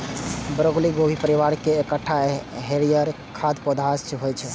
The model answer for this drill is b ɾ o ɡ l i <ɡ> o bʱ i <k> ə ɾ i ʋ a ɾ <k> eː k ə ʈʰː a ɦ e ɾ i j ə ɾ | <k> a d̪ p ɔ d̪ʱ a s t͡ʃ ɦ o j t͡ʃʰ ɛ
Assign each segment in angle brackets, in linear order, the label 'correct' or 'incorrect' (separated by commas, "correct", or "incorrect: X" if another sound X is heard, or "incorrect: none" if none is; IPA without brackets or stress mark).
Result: correct, incorrect: p, correct, incorrect: kʰ